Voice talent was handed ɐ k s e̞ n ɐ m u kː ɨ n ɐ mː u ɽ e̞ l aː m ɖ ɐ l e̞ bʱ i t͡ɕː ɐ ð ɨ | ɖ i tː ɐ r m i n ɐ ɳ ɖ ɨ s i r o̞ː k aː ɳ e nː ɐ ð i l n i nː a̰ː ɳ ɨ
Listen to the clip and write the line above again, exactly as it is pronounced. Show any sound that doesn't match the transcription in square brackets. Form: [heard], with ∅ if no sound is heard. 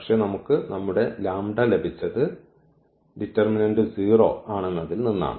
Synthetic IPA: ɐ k [ʂ] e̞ n ɐ m u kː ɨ n ɐ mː u ɽ e̞ l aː m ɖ ɐ l e̞ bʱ i t͡ɕː ɐ ð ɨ | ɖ i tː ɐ r m i n ɐ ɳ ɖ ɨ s [iː] r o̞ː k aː ɳ e nː ɐ ð i l n i nː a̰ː ɳ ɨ